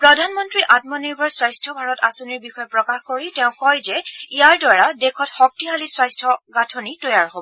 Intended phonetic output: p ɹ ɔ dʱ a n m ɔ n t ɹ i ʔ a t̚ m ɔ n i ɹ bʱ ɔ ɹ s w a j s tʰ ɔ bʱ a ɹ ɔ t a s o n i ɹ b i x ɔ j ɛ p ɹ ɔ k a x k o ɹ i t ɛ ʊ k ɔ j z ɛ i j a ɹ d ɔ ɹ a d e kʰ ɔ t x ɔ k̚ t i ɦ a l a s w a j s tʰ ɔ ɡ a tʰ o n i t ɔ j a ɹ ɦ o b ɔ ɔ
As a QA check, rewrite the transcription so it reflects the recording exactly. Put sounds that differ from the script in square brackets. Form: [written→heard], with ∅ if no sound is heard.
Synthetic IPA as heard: p ɹ ɔ dʱ a n m ɔ n t ɹ i ʔ a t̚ m ɔ n i ɹ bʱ ɔ ɹ s w a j s tʰ ɔ bʱ a ɹ ɔ t a s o n i ɹ b i x ɔ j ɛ p ɹ ɔ k a x k o ɹ i t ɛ [ʊ→ʊ̃] k ɔ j z ɛ i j a ɹ d ɔ ɹ a d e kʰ ɔ t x ɔ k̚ t i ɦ a l [a→i] s w a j s tʰ ɔ ɡ a tʰ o n i t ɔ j a ɹ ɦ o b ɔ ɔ

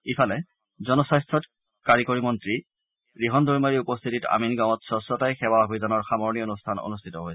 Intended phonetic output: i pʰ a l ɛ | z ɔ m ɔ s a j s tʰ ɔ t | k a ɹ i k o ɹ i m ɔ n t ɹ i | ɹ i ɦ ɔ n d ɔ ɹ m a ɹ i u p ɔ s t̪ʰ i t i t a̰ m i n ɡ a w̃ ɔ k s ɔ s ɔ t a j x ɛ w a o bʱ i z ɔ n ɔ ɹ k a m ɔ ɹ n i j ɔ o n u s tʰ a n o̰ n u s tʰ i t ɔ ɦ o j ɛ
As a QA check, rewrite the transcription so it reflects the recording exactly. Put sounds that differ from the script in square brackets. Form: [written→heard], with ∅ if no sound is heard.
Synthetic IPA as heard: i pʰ a l ɛ | z ɔ [m→n] ɔ s a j s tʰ ɔ t | k a ɹ i k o ɹ i m ɔ n t ɹ i | ɹ i ɦ ɔ n d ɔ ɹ m a ɹ i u p ɔ s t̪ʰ i t i t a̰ m i n ɡ a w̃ ɔ [k→t] s ɔ s ɔ t a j x ɛ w a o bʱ i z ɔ n ɔ ɹ [k→x] a m ɔ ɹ n i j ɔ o n u s tʰ a n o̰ n u s tʰ i t ɔ ɦ o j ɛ

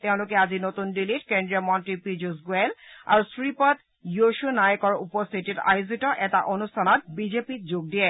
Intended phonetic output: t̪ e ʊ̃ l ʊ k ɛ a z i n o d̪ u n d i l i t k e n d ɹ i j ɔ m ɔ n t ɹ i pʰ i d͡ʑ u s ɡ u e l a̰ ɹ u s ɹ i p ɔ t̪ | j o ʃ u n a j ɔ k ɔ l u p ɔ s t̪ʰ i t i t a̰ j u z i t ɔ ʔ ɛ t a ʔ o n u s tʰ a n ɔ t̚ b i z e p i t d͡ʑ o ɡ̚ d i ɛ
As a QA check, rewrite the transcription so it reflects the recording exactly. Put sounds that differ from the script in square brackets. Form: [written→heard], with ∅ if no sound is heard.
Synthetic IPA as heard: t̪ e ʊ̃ l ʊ k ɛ a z i n o [d̪→t̪] u n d i l i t k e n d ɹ i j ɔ m ɔ n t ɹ i [pʰ→p] i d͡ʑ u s ɡ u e l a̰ ɹ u s ɹ i p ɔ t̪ | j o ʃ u n a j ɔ k ɔ [l→ɹ] u p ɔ s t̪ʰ i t i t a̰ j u z i t ɔ ʔ ɛ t a ʔ o n u s tʰ a n ɔ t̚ b i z e p i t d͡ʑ o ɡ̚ d i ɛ

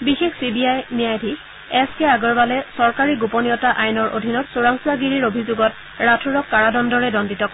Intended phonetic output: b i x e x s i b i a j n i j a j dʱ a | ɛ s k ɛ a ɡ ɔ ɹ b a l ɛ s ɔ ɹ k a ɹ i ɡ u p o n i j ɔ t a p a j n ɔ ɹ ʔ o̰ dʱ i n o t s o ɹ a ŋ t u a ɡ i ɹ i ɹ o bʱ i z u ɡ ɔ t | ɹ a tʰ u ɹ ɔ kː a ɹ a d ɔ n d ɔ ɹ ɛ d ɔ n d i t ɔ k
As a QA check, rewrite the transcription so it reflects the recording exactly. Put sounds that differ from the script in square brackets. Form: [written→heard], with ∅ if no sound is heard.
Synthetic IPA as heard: b i x e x s i b i a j n i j a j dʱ [a→i] | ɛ s k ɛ a ɡ ɔ ɹ b a l ɛ s ɔ ɹ k a ɹ i ɡ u p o n i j ɔ t a [p→ʔ] a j n ɔ ɹ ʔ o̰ dʱ i n [o→ɔ] t s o ɹ a ŋ [t→s] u a ɡ i ɹ i ɹ o bʱ i z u ɡ ɔ t | ɹ a tʰ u ɹ ɔ kː a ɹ a d ɔ n d ɔ ɹ ɛ d ɔ n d i t ɔ k

